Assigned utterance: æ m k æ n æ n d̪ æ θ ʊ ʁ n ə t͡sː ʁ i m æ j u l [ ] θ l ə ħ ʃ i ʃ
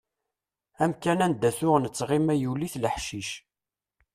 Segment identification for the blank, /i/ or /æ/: i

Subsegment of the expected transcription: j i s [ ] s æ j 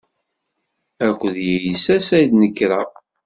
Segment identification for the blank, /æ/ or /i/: æ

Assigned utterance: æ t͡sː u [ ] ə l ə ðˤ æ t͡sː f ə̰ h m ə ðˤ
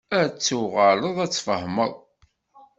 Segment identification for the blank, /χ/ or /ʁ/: ʁ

